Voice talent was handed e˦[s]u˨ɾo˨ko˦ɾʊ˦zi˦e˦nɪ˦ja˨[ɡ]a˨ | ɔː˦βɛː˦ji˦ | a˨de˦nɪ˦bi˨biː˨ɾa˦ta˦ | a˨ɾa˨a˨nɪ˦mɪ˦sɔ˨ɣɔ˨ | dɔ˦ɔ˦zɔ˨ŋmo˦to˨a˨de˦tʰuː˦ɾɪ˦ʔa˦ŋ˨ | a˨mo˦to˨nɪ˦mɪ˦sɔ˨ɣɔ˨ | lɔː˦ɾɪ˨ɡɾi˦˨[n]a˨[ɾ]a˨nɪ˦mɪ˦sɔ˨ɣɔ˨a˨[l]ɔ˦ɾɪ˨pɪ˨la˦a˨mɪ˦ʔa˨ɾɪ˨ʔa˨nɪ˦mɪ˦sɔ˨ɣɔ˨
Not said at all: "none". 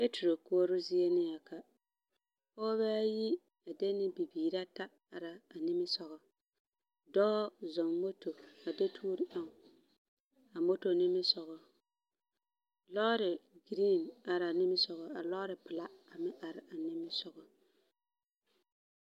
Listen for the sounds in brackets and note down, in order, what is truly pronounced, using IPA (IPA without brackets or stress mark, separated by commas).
t, k, n, ɾ, l